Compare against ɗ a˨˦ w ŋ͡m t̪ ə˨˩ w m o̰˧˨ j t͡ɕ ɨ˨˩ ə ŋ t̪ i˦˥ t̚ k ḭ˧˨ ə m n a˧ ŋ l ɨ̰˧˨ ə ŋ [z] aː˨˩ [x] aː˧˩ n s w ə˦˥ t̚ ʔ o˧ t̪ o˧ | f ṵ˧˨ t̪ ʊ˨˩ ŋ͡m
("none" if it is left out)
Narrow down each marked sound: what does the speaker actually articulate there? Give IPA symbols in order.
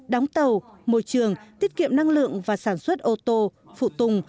v, s

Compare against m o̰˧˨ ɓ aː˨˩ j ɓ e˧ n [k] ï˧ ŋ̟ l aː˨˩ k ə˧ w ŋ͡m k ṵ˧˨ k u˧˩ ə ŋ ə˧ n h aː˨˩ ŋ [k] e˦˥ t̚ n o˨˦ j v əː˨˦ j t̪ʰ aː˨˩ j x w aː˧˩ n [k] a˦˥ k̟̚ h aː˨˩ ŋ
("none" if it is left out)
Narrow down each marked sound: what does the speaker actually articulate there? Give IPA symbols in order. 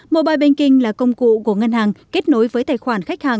k, k, x

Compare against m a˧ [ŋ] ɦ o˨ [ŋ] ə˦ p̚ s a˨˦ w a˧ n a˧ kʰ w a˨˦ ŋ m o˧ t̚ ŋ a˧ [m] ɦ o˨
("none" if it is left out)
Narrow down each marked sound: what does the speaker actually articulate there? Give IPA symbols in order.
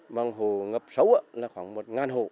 ŋ, ŋ, n

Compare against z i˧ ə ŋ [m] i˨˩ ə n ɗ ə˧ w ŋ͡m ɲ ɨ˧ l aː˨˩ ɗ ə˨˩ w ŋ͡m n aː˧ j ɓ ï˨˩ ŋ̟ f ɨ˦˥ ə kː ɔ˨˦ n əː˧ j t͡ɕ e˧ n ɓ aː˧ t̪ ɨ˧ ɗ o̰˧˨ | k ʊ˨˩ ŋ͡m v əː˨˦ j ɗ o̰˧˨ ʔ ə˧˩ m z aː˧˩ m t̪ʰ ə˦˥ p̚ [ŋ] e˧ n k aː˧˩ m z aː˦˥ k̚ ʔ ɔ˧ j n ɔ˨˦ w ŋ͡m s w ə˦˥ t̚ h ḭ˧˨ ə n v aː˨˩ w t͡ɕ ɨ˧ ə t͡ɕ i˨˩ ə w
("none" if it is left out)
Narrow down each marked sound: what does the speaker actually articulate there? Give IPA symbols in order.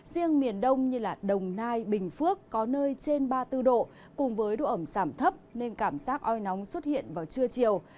m, n

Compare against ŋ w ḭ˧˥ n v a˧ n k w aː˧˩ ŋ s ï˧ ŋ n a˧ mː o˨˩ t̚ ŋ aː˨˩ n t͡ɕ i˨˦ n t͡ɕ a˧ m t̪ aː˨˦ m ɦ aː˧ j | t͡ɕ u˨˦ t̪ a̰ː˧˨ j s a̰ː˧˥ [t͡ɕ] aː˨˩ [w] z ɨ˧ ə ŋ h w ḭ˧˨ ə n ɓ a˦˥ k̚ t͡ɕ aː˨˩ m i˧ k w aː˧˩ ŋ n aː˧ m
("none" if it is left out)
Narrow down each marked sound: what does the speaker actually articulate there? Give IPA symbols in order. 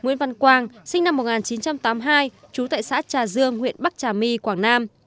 t͡ɕ, none

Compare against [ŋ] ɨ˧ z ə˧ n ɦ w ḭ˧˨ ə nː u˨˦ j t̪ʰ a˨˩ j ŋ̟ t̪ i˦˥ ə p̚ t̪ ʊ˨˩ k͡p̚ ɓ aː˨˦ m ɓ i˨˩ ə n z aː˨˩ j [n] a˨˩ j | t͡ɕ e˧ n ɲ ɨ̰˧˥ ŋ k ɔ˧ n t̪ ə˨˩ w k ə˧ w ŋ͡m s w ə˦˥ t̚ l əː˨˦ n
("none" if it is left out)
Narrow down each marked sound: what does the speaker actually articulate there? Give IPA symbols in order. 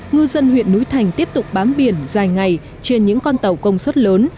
ŋ, ŋ

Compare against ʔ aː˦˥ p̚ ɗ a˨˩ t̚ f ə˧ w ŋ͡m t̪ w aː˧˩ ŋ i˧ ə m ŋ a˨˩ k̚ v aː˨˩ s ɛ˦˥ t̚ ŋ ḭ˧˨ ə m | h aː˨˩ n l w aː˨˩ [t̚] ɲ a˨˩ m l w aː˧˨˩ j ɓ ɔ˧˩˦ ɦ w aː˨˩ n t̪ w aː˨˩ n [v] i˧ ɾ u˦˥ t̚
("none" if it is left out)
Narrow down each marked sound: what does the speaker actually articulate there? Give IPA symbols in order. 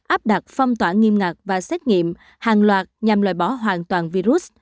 t̚, v

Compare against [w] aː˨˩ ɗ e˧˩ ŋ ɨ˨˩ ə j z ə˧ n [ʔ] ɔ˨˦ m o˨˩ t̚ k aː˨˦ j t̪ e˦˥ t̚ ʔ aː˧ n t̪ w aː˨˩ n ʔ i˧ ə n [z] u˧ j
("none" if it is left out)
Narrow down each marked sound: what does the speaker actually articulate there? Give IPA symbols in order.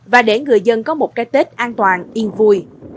v, k, v

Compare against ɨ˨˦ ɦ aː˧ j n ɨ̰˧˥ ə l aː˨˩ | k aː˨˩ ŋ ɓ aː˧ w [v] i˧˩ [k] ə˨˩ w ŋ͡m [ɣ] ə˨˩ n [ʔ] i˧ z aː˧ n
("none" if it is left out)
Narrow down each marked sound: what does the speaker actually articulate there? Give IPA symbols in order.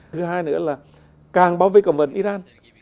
v, k, v, ʔ

